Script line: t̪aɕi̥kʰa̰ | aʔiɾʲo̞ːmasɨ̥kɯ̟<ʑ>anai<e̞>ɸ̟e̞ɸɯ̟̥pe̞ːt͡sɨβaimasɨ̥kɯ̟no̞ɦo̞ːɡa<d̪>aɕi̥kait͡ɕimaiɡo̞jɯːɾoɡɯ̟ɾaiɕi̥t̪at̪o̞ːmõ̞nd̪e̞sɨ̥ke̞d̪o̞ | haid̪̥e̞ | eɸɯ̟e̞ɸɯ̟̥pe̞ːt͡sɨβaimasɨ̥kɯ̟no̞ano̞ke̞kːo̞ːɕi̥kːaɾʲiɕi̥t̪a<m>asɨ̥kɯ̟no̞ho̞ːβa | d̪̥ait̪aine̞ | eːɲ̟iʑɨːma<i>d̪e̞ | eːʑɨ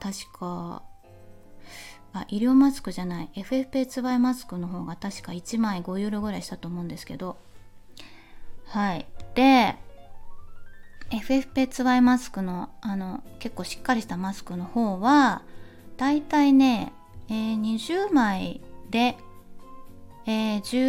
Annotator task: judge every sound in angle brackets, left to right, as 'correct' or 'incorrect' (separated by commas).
correct, correct, incorrect, correct, correct